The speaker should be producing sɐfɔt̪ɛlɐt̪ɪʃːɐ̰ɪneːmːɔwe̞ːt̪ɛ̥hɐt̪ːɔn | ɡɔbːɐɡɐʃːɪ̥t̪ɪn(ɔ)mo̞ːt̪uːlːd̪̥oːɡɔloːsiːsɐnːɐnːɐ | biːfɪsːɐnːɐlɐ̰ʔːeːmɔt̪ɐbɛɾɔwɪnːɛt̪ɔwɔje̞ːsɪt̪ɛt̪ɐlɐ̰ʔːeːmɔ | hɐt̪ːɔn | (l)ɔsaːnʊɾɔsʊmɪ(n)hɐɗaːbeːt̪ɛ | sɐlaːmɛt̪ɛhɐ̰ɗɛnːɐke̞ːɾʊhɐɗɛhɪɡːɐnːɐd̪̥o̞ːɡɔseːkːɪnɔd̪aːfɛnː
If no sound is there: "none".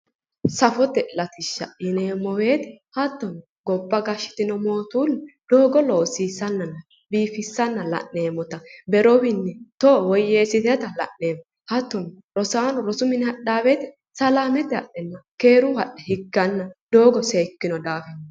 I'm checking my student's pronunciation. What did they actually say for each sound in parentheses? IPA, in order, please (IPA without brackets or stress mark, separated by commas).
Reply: ɔ, ɾ, n